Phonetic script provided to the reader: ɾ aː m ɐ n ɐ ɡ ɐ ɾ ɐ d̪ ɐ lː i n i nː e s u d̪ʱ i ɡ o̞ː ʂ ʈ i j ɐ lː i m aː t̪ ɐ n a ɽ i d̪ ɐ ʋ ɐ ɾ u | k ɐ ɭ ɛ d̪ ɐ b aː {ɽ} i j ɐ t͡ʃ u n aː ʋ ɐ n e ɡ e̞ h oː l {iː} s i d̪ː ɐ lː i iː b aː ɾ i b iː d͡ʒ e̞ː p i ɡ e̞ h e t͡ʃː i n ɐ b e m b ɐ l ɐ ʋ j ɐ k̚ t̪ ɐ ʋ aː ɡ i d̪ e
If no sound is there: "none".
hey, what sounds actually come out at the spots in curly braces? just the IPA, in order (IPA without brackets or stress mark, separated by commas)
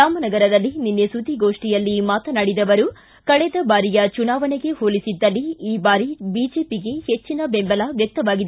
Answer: ɾ, i